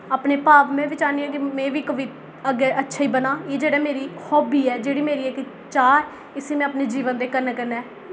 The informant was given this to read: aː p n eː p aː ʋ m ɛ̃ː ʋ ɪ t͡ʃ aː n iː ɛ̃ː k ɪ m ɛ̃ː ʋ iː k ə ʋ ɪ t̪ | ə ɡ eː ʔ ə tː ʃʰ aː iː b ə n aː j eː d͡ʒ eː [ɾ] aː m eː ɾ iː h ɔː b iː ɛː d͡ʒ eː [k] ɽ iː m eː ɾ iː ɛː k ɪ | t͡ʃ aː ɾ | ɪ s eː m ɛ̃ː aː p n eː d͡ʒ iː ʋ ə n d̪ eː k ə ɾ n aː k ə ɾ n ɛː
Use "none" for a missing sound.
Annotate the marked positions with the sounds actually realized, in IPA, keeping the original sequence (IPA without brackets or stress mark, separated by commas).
ɽ, none